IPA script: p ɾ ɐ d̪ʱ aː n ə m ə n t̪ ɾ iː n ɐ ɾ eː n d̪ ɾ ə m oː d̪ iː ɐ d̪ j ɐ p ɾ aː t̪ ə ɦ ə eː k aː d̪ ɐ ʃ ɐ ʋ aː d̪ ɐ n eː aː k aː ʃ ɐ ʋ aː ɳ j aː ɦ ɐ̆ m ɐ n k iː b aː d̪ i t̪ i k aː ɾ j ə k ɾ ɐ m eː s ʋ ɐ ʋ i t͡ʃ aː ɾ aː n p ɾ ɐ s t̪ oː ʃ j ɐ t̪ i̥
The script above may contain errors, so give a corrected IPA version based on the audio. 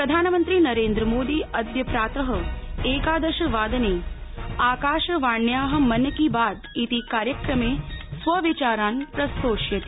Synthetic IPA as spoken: p ɾ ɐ d̪ʱ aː n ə m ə n t̪ ɾ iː n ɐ ɾ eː n d̪ ɾ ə m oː d̪ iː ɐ d̪ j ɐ p ɾ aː t̪ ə ɦ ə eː k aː d̪ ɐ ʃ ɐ ʋ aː d̪ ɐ n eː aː k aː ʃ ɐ ʋ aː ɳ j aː ɦ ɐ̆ m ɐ n k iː b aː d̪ i t̪ i k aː ɾ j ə k ɾ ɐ m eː s ʋ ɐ ʋ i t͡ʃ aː ɾ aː n p ɾ ɐ s t̪ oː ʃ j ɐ t̪ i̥